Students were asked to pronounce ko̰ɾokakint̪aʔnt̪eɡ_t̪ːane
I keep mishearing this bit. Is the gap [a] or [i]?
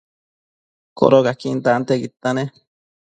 i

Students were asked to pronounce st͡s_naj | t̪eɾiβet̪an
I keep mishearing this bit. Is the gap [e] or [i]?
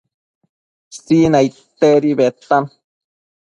i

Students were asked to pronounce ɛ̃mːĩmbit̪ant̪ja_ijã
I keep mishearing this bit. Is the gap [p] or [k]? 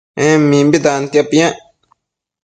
p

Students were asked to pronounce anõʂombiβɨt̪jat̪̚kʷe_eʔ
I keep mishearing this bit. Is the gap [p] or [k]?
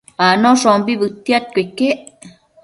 k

